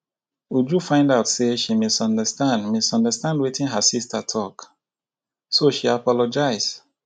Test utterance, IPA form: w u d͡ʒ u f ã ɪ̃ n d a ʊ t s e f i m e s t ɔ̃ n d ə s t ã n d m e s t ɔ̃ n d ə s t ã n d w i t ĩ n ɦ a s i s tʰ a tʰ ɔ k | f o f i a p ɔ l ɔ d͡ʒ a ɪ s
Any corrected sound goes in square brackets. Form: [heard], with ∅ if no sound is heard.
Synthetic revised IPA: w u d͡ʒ u f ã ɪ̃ n d a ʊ t s e [ʃ] i m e s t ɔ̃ n d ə s t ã n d m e s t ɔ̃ n d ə s t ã n d w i t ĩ n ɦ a s i s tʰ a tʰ ɔ k | [s] o [ʃ] i a p ɔ l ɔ d͡ʒ a ɪ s

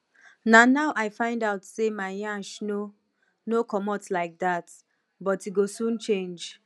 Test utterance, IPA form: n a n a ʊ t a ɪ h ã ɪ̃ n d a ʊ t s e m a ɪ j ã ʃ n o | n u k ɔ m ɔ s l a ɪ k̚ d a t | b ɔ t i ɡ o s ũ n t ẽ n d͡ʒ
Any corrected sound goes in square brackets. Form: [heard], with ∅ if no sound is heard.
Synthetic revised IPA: n a n a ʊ [ʔ] a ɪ [f] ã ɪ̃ n d a ʊ t s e m a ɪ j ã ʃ n o | n [o] k ɔ m ɔ [t] l a ɪ k̚ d a t | b ɔ t i ɡ o s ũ n [t͡ʃ] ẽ n d͡ʒ

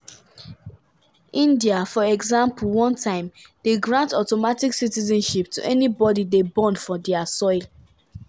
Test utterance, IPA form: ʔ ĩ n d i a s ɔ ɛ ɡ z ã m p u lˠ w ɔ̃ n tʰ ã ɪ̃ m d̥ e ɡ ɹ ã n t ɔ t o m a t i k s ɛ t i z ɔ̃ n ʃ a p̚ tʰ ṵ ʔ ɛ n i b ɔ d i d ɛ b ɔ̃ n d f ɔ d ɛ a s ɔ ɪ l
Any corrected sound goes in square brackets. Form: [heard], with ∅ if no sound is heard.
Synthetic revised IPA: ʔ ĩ n d i a [f] ɔ ɛ ɡ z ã m p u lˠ w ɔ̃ n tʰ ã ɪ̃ m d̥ e ɡ ɹ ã n t ɔ t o m a t i k s [i] t i z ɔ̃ n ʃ [i] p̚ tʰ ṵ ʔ ɛ n i b ɔ d i d [e] b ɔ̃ n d f ɔ d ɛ a s ɔ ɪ l

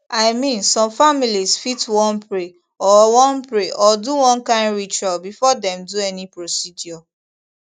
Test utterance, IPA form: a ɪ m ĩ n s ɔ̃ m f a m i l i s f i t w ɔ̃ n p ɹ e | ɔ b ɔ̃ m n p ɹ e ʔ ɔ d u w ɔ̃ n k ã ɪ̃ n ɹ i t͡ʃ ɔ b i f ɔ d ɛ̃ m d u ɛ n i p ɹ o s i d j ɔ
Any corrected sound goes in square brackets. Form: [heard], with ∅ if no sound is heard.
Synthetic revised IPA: a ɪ m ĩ n s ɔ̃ m f a m i l i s f i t w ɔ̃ n p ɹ e | ɔ [w] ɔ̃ [∅] n p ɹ e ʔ ɔ d u w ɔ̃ n k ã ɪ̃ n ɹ i t͡ʃ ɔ b i f ɔ d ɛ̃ m d u ɛ n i p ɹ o s i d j ɔ

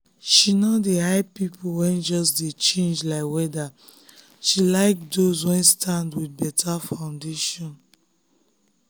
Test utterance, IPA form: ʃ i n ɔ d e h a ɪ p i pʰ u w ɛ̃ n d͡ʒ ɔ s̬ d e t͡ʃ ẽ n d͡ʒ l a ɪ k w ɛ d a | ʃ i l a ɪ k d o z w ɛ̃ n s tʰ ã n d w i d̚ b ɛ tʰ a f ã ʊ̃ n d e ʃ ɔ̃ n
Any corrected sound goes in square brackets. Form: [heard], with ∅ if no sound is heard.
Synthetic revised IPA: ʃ i n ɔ d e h a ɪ p i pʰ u w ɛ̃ n d͡ʒ ɔ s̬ d e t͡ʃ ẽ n d͡ʒ l a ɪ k w ɛ d a | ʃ i l a ɪ k d o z w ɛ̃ n s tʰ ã n d w i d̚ b ɛ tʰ a f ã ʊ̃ n d e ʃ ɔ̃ n

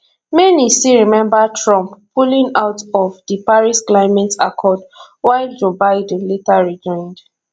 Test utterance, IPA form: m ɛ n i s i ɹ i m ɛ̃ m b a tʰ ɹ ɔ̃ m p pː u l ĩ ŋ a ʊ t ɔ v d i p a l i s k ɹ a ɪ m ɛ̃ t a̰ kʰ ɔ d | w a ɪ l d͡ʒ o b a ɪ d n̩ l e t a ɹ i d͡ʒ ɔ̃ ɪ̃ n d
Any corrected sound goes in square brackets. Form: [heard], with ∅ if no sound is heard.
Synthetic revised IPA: m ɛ n i s i ɹ i m ɛ̃ m b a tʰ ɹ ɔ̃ m p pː u l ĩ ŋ a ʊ t ɔ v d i p a [ɹ] i s k [l] a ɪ m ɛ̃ t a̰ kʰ ɔ d | w a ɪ l d͡ʒ o b a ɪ d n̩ l e t a ɹ i d͡ʒ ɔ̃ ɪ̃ n d

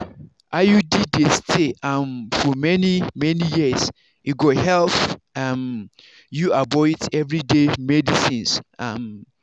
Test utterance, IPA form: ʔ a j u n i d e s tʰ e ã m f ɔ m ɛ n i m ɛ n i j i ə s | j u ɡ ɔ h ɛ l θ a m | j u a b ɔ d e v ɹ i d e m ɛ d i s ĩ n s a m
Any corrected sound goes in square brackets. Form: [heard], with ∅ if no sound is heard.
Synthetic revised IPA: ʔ a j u [d] i d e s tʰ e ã m f ɔ m ɛ n i m ɛ n i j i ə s | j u ɡ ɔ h ɛ l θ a m | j u a b ɔ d [ɛ] v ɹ i d e m ɛ d i s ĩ n s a m

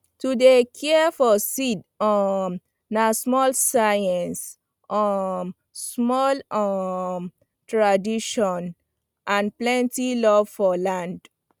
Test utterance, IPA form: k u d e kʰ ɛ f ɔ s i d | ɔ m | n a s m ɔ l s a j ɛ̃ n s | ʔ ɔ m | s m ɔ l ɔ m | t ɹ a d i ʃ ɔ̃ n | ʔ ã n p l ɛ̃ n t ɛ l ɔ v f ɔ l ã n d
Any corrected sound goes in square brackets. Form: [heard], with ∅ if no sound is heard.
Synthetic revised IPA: [t] u d e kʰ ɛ f ɔ s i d | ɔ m | n a s m ɔ l s a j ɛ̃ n s | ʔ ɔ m | s m ɔ l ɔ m | t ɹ a d i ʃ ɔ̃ n | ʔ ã n p l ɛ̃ n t [i] l ɔ v f ɔ l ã n d

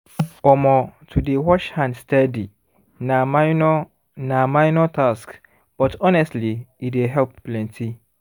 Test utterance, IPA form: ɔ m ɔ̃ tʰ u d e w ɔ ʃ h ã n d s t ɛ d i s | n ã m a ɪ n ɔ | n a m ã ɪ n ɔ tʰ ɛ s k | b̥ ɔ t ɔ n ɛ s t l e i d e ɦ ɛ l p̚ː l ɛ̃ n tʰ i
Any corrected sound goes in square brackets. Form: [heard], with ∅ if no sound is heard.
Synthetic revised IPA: ɔ m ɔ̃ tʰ u d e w ɔ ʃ h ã n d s t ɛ d i [∅] | n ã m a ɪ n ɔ | n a m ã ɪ n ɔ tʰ [a] s k | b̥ ɔ t ɔ n ɛ s t l [i] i d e ɦ ɛ l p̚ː l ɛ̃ n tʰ i

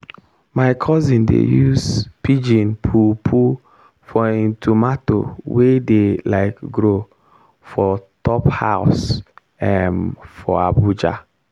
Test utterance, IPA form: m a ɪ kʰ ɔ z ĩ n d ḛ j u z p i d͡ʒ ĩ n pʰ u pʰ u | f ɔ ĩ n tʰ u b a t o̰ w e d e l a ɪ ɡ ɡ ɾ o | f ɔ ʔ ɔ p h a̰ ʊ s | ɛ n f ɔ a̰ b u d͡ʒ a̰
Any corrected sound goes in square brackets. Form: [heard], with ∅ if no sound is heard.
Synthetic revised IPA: m a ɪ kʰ ɔ z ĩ n d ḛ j u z p i d͡ʒ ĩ n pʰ u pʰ u | f ɔ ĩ n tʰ u [m] a t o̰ w e d e l a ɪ [k] ɡ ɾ o | f ɔ [t] ɔ p h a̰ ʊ s | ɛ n f ɔ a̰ b u d͡ʒ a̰

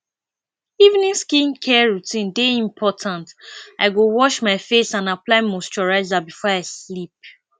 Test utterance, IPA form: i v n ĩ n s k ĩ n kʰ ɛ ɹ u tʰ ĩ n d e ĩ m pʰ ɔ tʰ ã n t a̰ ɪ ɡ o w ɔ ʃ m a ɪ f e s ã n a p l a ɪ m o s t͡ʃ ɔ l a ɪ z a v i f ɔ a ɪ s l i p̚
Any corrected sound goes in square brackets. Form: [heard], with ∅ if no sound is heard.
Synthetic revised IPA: i v n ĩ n s k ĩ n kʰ ɛ ɹ u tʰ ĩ n d e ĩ m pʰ ɔ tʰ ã n t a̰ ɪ ɡ o w ɔ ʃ m a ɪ f e s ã n a p l a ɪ m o s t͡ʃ ɔ [ɹ] a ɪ z a [b] i f ɔ a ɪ s l i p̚

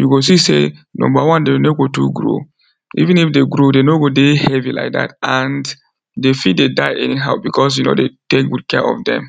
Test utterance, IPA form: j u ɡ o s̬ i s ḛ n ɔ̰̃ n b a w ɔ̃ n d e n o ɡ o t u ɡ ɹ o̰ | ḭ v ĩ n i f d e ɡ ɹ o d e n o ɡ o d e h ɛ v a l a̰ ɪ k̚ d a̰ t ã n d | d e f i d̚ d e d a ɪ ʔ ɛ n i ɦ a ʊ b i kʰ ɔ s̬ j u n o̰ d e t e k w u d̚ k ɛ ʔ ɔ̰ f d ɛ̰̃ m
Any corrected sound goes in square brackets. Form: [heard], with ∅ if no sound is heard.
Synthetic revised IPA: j u ɡ o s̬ i s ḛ n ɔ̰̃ [m] b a w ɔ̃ n d e n o ɡ o t u ɡ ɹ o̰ | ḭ v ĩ n i f d e ɡ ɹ o d e n o ɡ o d e h ɛ v [i] l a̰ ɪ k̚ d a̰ t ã n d | d e f i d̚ d e d a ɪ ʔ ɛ n i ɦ a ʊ b i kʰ ɔ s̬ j u n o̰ d e t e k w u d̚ k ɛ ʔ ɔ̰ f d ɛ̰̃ m

